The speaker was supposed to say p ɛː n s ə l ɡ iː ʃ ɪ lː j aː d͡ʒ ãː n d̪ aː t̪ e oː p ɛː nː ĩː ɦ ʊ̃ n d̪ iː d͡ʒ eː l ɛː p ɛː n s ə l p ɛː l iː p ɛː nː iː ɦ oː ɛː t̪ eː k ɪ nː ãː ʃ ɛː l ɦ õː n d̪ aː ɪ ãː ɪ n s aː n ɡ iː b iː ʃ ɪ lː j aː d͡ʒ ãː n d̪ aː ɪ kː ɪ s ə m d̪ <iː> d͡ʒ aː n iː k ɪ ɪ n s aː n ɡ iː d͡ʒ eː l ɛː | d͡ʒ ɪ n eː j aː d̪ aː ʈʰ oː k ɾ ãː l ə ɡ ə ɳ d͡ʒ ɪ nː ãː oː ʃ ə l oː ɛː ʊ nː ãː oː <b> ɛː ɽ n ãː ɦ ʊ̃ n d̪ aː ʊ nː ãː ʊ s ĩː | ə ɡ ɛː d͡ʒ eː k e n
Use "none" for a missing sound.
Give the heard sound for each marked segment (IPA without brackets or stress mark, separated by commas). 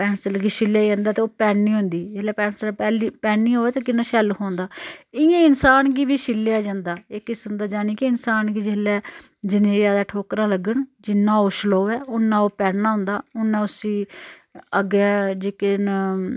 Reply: aː, p